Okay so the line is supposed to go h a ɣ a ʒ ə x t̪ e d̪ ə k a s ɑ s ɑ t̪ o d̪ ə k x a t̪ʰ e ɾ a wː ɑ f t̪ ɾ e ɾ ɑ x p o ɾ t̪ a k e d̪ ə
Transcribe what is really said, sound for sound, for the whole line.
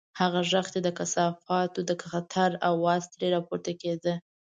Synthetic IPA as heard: h a ɣ a ʒ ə x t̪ e d̪ ə k a s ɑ f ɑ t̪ o d̪ ə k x a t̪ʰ a ɾ a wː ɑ s t̪ ɾ e ɾ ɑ p o ɾ t̪ a k e d̪ ə